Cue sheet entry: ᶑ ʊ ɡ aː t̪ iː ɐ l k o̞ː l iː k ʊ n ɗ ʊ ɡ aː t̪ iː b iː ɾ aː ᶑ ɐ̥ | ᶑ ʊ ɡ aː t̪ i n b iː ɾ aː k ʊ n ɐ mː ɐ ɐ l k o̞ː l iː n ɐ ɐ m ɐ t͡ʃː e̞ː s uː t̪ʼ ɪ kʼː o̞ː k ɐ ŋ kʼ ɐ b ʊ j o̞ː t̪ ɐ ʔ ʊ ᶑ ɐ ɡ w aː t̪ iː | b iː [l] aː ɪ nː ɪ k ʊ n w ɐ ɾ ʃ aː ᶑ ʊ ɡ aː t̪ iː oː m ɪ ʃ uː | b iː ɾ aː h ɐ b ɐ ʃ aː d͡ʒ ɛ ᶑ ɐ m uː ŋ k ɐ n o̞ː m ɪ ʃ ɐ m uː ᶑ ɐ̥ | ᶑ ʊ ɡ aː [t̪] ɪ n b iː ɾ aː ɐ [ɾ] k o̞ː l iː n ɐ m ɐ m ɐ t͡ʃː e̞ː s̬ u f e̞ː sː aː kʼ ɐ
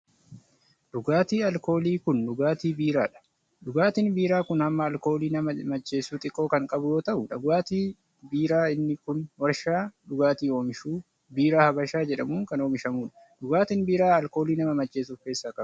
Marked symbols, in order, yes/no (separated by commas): no, yes, no